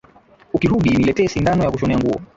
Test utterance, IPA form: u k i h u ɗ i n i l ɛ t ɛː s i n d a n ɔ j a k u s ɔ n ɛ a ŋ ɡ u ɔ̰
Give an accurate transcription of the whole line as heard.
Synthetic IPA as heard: u k i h u ɗ i n i l ɛ t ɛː s i n d a n ɔ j a k u ʃ ɔ n ɛ a ŋ ɡ u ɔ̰